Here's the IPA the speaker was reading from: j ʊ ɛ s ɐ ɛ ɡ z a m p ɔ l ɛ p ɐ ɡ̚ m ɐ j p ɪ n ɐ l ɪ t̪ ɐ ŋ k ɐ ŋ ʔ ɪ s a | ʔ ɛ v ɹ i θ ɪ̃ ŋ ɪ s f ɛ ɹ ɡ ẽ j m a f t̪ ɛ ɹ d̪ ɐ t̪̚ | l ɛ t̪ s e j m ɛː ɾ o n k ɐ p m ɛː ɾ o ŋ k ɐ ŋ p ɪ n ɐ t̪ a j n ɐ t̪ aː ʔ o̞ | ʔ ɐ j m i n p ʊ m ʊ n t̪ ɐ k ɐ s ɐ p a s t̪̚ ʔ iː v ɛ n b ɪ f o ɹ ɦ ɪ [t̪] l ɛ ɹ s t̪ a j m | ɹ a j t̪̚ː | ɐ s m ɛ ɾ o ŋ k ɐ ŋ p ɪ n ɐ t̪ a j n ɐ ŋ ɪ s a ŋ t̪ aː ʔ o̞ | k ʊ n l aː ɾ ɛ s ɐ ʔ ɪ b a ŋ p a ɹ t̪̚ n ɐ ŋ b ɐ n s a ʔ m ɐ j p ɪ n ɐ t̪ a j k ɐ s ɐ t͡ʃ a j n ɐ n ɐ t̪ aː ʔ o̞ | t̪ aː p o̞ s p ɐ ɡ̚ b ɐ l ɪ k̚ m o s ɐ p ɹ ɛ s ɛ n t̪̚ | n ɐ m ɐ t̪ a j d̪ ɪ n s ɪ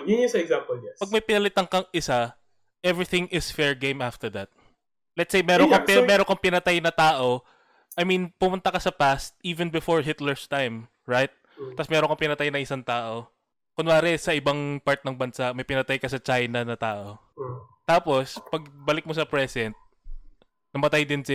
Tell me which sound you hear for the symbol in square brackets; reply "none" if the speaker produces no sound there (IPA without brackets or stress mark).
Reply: t̪